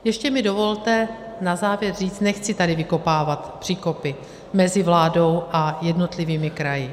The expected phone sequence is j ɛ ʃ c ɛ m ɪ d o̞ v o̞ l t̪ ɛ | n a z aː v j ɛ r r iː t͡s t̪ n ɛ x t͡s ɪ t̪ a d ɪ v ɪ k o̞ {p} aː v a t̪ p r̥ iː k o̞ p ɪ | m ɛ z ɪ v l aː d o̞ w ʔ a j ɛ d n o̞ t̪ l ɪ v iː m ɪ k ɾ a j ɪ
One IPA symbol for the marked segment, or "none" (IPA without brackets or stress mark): p